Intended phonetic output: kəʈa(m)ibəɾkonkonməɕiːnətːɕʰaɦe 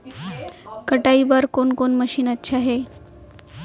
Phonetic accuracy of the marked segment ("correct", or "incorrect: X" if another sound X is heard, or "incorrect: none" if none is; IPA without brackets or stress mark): incorrect: none